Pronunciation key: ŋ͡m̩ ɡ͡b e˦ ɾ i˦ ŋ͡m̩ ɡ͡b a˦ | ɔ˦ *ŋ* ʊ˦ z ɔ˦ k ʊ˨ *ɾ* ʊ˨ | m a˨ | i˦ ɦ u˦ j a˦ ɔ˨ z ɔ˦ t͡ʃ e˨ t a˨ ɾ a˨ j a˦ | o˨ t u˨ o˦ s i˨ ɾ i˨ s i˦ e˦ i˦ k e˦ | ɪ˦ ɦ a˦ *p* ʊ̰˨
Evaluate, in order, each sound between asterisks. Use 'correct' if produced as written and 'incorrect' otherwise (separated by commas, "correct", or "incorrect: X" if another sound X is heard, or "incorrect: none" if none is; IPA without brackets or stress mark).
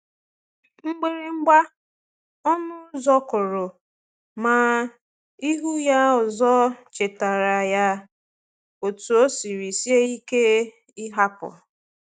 incorrect: n, correct, correct